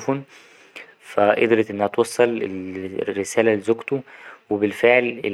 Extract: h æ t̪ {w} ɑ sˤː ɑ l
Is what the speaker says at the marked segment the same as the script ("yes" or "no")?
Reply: yes